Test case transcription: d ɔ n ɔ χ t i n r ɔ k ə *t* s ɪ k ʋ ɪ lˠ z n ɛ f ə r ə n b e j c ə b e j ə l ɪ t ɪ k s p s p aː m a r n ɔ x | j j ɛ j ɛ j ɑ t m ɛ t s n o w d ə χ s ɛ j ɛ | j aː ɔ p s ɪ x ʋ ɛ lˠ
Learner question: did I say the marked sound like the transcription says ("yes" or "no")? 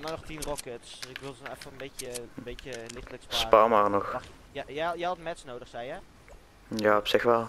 yes